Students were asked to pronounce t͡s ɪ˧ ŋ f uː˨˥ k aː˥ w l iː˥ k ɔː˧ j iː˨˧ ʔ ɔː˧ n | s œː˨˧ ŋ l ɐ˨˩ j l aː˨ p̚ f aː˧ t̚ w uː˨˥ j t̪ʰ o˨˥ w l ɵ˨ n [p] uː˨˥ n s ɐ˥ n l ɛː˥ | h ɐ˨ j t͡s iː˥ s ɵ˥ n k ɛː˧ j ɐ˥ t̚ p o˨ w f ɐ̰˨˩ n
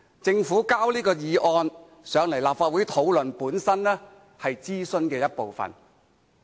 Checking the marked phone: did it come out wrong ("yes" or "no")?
no